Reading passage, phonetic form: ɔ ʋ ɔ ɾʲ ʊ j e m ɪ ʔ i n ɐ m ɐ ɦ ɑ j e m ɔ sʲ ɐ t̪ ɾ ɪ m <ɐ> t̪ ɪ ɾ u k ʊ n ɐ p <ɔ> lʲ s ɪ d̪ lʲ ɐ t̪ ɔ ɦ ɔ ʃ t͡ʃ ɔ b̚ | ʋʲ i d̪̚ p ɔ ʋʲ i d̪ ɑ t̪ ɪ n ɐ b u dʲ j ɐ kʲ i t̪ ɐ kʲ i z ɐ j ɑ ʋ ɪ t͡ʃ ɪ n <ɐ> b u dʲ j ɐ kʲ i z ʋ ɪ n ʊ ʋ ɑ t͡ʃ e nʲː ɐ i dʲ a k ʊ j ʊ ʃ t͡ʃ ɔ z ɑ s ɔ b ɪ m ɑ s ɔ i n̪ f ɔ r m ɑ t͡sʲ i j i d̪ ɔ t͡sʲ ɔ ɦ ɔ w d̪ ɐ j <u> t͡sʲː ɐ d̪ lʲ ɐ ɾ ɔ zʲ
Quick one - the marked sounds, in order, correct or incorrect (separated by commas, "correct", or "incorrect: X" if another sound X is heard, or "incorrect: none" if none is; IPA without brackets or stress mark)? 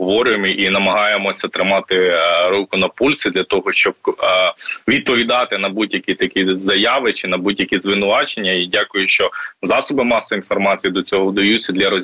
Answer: incorrect: ɑ, incorrect: u, correct, correct